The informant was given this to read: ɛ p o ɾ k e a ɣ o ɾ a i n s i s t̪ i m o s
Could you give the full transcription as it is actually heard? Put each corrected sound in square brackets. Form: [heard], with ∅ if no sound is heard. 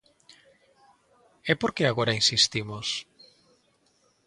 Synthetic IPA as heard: ɛ p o ɾ k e a ɣ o ɾ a i n s i s t̪ i m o s